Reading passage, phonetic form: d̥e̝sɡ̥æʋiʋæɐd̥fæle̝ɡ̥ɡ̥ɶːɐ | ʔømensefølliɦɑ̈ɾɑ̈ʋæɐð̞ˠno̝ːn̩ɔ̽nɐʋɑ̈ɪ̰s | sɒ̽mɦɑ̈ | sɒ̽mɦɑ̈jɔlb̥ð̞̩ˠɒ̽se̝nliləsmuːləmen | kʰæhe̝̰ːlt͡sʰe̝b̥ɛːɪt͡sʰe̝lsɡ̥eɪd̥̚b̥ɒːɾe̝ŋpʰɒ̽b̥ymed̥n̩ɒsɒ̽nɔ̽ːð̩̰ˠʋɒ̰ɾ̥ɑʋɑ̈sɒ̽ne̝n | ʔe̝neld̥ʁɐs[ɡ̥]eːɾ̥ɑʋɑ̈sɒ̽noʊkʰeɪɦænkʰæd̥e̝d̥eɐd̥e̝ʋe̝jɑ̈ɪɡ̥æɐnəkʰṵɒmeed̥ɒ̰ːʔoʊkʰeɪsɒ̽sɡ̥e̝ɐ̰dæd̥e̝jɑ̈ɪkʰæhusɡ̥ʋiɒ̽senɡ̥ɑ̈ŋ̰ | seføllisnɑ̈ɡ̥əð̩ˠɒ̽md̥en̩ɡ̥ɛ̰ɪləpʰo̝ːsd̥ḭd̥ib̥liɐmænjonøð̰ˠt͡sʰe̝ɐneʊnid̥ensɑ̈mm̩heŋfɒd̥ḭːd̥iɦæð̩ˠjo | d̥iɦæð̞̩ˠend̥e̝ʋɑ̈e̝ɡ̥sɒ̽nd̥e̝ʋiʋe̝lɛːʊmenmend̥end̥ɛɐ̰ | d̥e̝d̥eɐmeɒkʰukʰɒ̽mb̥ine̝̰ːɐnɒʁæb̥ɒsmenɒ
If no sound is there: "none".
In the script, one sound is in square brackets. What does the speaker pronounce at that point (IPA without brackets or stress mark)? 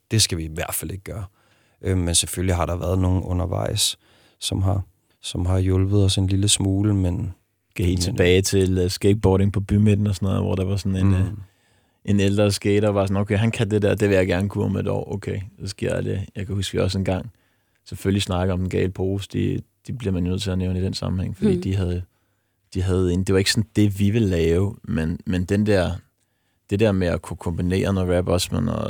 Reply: ɡ̥